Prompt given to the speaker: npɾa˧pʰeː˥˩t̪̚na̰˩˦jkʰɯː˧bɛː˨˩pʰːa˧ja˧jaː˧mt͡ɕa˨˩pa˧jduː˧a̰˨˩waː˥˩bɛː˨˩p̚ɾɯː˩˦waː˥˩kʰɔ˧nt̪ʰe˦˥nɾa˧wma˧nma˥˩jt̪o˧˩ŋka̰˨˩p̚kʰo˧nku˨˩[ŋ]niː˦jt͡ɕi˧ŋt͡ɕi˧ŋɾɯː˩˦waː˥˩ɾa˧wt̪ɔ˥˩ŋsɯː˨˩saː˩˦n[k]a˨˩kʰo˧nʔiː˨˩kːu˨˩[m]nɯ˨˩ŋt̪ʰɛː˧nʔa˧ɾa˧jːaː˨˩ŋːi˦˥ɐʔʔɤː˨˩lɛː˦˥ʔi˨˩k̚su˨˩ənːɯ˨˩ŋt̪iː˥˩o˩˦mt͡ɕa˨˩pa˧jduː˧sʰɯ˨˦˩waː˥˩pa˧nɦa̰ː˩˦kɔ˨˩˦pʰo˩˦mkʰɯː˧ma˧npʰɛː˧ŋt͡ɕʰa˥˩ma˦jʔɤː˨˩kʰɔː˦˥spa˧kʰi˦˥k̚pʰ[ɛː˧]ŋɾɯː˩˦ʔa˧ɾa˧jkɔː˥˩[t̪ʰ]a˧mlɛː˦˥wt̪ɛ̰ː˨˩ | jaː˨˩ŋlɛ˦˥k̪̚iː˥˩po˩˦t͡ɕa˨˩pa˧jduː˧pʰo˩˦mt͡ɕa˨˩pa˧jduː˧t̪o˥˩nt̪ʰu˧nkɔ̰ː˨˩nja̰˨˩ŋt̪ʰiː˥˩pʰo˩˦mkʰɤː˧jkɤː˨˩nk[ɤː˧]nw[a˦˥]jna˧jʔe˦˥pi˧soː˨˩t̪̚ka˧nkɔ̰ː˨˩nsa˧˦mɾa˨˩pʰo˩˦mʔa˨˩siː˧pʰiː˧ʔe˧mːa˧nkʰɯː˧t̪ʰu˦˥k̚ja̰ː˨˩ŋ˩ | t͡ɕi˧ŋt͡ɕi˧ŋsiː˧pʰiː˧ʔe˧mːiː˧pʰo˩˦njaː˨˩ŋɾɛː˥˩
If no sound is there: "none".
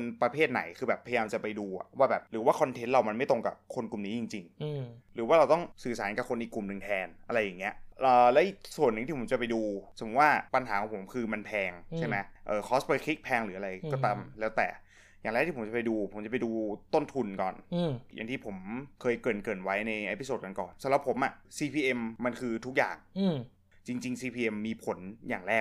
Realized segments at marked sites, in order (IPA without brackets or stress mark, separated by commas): m, k, m, ɛː˧, t̪, ɤː˨˩, a˦˥